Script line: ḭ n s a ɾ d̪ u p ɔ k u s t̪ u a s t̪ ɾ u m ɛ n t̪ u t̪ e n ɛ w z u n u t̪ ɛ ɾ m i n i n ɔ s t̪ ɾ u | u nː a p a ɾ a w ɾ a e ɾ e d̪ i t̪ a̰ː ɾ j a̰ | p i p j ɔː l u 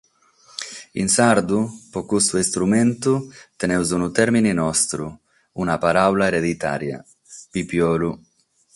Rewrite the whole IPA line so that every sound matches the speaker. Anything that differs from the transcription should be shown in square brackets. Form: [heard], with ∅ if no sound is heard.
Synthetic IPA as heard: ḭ n s a ɾ d̪ u p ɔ k u s t̪ u [i] s t̪ ɾ u m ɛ n t̪ u t̪ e n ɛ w z u n u t̪ ɛ ɾ m i n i n ɔ s t̪ ɾ u | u [n] a p a ɾ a w [l] a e ɾ e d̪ i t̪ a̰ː ɾ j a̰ | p i p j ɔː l u